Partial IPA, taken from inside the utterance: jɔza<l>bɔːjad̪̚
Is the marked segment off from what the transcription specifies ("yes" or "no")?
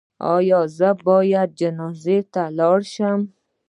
yes